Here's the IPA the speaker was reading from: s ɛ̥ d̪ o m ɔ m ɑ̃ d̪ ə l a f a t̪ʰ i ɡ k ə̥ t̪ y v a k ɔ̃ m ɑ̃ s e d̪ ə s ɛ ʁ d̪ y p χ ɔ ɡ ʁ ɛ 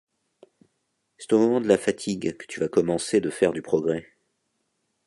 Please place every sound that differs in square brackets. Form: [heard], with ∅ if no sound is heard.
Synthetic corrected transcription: s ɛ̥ [t̪] o m ɔ m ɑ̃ d̪ ə l a f a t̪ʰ i ɡ k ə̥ t̪ y v a k [ɔ] m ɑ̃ s e d̪ ə [f] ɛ ʁ d̪ y p χ ɔ ɡ ʁ ɛ